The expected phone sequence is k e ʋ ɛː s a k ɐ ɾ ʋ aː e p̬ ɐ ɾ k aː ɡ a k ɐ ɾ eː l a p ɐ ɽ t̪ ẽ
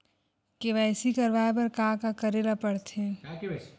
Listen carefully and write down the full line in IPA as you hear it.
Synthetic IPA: k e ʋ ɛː s i k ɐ ɾ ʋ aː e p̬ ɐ ɾ k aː k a k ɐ ɾ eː l a p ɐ ɽ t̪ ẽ